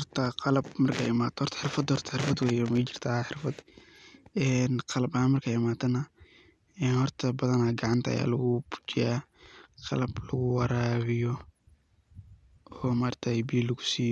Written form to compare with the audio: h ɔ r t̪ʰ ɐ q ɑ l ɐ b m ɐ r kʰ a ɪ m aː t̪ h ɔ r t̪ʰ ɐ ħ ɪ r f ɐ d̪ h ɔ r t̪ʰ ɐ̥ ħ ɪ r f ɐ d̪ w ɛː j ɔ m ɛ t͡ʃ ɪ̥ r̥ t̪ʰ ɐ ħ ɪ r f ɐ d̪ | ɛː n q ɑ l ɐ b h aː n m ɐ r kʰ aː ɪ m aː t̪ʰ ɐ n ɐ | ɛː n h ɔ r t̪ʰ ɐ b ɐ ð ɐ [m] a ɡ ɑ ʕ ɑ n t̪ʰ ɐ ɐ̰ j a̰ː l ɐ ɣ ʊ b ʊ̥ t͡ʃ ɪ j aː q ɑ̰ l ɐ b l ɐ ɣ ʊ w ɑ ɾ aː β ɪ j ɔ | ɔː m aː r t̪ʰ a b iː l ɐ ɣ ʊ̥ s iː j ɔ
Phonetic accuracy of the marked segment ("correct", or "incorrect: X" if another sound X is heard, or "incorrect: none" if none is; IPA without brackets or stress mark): incorrect: n